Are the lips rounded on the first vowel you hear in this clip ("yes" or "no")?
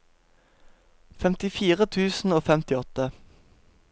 no